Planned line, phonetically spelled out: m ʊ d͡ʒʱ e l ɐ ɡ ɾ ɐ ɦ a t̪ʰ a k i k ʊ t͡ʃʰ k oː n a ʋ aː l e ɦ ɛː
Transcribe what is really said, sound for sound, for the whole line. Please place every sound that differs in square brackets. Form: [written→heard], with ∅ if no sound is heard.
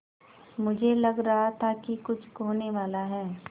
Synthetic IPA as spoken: m ʊ d͡ʒʱ e l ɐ ɡ ɾ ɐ ɦ a t̪ʰ a k i k ʊ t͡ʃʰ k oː n [a→e] ʋ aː l [e→a] ɦ ɛː